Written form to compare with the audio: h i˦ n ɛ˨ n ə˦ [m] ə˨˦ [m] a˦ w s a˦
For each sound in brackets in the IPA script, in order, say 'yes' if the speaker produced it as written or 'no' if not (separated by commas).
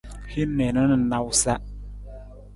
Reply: no, no